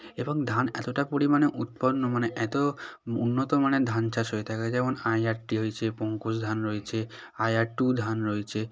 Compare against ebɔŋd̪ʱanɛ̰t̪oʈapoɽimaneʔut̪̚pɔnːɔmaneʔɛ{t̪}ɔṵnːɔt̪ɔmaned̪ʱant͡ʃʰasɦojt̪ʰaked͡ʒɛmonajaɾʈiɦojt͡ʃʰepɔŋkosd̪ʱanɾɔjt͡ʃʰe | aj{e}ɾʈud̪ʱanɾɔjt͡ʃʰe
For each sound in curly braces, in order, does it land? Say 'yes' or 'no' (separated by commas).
yes, no